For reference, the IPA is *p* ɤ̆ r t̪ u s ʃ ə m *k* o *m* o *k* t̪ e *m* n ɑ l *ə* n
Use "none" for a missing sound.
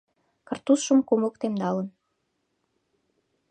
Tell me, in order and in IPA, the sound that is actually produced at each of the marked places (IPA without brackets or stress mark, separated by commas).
k, k, m, k, m, ə